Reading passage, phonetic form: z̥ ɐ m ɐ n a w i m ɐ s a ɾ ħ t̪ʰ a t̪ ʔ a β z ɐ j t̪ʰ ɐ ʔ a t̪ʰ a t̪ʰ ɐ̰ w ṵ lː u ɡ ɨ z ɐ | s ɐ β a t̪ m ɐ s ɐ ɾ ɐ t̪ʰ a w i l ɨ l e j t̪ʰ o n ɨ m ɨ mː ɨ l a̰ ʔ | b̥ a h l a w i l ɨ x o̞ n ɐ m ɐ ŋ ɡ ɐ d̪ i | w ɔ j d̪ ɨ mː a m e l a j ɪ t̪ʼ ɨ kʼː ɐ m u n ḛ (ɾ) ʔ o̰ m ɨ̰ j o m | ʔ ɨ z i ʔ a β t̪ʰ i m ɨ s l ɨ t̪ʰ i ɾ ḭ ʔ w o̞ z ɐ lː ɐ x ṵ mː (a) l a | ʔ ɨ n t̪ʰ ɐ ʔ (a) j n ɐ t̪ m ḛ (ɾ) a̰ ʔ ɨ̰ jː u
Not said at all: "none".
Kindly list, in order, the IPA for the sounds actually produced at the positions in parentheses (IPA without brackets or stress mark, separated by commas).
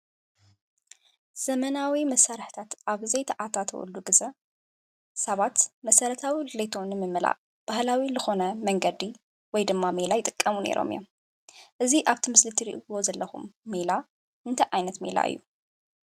ɾ, e, a, l